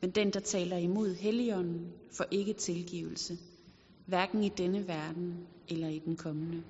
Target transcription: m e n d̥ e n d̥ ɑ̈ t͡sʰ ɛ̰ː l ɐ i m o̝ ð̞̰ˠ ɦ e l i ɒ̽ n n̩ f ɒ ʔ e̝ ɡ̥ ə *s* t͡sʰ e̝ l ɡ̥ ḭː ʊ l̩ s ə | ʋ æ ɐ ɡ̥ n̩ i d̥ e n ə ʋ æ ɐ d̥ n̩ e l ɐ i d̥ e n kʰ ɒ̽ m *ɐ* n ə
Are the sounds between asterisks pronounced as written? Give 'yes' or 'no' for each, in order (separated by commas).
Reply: no, no